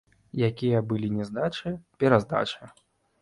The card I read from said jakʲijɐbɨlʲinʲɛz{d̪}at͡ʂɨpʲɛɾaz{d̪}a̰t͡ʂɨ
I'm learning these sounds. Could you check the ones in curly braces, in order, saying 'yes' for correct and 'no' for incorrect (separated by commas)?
yes, yes